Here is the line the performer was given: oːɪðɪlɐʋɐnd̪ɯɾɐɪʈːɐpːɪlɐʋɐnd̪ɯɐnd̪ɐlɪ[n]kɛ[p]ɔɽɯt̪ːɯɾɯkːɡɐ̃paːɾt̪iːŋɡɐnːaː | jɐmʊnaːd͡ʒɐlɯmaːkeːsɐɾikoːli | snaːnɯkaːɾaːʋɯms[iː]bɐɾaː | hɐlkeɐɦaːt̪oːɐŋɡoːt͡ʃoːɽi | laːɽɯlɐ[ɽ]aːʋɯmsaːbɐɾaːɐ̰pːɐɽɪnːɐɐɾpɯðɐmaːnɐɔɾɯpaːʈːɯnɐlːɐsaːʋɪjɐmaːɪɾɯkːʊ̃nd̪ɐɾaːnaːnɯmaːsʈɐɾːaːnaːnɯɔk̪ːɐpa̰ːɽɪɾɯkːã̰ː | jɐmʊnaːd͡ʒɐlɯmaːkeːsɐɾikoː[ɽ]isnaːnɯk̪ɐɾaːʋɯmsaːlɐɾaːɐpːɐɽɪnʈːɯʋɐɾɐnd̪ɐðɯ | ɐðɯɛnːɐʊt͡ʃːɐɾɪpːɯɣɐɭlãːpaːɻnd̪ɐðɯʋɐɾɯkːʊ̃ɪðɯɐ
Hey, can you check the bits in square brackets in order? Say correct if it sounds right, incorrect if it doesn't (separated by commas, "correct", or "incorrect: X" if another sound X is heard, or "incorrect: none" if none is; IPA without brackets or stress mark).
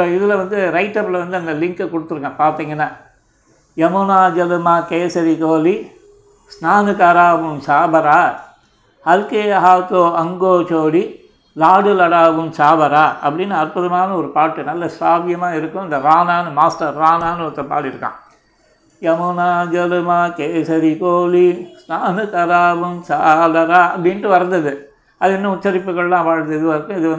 incorrect: ŋ, incorrect: k, incorrect: aː, correct, incorrect: l